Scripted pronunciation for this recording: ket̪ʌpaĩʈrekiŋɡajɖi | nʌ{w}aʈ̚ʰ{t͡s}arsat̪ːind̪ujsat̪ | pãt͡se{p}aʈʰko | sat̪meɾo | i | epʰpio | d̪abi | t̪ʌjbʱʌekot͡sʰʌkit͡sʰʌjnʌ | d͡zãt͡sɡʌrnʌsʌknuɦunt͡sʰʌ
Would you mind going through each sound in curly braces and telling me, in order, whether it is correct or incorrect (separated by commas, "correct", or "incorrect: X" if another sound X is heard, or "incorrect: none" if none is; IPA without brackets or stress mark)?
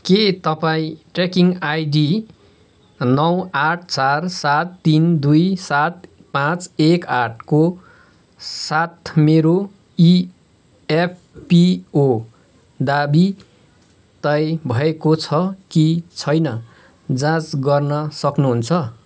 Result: correct, correct, incorrect: k